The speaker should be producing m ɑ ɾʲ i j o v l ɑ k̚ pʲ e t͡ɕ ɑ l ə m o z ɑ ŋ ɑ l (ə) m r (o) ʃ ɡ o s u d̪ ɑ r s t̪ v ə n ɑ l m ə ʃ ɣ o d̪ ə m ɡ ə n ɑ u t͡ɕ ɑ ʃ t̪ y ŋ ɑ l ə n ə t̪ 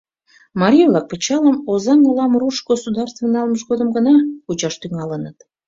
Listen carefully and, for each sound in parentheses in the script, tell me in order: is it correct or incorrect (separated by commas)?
incorrect, incorrect